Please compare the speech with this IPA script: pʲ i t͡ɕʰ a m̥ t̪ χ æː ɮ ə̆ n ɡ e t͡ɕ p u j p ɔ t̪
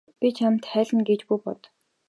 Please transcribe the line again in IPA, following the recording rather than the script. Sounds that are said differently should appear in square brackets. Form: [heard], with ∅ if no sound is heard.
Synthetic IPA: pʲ i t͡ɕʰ a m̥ t̪ χ æː ɮ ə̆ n ɡ e t͡ɕ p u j p ɔ t̪